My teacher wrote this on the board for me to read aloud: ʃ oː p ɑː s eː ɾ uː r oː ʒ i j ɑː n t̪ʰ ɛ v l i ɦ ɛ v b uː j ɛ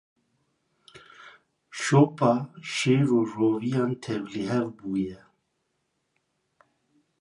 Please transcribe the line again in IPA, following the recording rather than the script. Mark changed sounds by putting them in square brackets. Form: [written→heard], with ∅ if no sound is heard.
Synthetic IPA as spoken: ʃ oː p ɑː [s→ʃ] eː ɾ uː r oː [ʒ→v] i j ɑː n t̪ʰ ɛ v l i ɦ ɛ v b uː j ɛ